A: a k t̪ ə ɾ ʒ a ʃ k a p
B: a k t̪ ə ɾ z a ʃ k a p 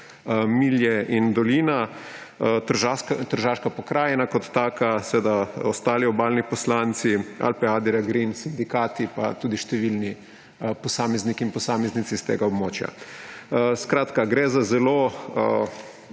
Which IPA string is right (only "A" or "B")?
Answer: A